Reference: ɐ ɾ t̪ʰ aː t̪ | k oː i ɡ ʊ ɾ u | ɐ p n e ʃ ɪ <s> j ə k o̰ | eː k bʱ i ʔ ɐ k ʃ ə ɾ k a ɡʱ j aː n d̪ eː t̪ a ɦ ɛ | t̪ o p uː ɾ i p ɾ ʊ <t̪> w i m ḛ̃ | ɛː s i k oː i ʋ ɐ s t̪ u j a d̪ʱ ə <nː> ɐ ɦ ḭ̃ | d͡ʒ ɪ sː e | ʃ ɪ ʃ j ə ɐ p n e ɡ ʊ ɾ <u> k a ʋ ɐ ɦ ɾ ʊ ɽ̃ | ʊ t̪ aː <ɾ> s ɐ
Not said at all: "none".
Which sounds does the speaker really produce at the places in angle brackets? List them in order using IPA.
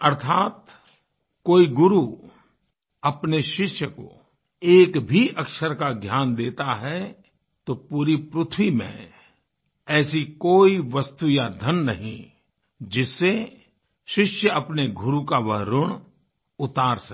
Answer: ʃ, t̪ʰ, nː, u, ɾ

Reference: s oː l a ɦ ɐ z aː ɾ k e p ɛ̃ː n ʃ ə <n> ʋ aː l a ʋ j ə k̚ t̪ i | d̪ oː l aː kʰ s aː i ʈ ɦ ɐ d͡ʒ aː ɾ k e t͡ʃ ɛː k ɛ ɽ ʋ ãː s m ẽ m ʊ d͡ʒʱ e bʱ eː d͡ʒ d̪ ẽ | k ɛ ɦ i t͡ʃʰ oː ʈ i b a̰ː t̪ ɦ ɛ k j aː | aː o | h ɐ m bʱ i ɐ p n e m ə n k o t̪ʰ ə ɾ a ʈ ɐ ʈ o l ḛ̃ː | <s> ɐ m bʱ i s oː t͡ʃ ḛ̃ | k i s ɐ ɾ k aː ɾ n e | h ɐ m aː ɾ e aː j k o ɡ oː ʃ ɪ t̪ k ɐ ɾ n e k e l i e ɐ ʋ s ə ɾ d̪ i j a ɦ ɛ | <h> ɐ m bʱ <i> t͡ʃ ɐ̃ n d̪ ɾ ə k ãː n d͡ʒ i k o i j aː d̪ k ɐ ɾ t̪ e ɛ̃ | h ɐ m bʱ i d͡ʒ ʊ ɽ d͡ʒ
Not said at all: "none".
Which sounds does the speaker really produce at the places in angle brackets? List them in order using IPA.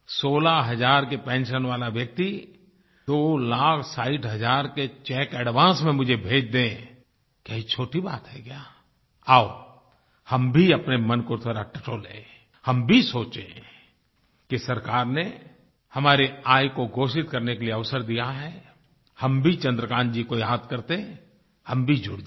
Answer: n, h, h, i

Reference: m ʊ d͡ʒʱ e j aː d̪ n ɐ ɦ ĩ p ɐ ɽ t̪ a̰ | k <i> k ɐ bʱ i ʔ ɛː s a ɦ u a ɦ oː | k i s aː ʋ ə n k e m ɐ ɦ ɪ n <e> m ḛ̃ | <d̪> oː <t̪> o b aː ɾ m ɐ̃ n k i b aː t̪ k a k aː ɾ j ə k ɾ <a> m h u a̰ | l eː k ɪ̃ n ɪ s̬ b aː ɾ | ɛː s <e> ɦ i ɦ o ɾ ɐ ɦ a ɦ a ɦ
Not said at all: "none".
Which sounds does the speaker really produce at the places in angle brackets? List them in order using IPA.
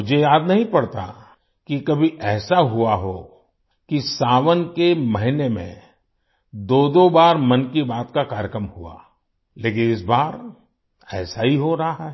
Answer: i, e, d̪, d̪, ə, a

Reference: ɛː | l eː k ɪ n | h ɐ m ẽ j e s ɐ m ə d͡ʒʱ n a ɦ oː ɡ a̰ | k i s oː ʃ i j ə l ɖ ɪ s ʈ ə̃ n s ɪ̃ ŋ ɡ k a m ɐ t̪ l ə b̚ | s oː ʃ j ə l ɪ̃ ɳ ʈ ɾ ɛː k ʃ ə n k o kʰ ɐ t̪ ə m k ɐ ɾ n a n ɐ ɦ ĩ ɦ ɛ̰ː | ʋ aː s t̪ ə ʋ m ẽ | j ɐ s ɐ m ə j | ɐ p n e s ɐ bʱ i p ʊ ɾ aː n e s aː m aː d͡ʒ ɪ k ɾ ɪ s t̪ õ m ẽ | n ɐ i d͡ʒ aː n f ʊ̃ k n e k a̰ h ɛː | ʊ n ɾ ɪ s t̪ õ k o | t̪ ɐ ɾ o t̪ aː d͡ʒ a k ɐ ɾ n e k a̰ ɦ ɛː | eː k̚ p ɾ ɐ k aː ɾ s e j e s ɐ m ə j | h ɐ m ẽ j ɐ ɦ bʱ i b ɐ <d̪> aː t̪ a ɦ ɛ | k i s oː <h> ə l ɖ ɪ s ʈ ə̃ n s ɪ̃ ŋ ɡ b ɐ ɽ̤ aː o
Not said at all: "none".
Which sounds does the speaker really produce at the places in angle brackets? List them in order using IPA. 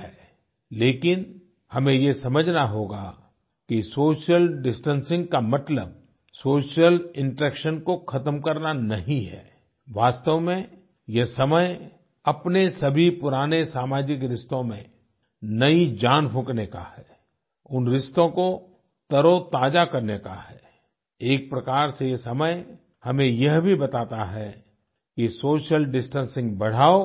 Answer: t̪, ʃ

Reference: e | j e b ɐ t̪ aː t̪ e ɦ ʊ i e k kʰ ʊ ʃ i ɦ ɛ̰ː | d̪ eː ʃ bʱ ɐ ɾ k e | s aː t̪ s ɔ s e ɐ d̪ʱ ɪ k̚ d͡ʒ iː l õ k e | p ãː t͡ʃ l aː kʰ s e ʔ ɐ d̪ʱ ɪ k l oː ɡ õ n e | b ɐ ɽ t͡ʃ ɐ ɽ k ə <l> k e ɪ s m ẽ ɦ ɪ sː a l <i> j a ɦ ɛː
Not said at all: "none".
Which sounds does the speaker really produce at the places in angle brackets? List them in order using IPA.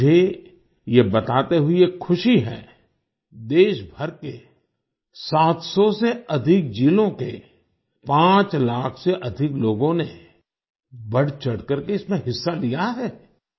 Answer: ɾ, i

